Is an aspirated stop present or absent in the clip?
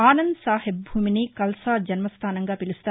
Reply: present